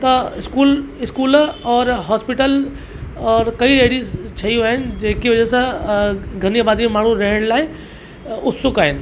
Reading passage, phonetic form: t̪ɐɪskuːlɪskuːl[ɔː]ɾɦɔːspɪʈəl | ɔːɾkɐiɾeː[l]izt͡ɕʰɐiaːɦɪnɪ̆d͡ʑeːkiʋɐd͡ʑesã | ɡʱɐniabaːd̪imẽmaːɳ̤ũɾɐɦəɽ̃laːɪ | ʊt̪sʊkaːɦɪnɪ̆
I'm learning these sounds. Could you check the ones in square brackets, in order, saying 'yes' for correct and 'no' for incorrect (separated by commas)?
yes, no